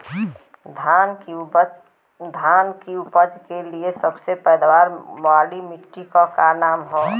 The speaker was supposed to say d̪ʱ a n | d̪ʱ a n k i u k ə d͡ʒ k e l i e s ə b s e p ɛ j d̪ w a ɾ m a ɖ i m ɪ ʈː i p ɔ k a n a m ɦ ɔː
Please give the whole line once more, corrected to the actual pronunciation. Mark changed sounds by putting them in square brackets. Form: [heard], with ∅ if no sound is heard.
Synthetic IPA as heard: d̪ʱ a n | d̪ʱ a n k i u [p] ə d͡ʒ k e l i e s ə b s e p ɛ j d̪ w a ɾ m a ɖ i m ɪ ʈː i [k] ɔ k a n a m ɦ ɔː